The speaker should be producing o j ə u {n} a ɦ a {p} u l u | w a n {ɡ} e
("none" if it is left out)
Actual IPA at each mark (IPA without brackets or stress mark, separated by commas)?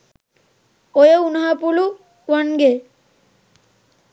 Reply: n, p, ɡ